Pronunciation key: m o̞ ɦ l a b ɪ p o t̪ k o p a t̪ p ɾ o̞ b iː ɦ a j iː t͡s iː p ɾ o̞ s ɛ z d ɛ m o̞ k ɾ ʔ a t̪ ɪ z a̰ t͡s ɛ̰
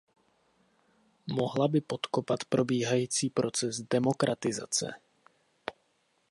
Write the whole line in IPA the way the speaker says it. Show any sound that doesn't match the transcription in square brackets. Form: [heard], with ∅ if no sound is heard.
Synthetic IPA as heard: m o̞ ɦ l a b ɪ p o t̪ k o p a t̪ p ɾ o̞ b iː ɦ a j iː t͡s iː p ɾ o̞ [t͡s] ɛ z d ɛ m o̞ k ɾ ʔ a t̪ ɪ z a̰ t͡s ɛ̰